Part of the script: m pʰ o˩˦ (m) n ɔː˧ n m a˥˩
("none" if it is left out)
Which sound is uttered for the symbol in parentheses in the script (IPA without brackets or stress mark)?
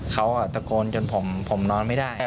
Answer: m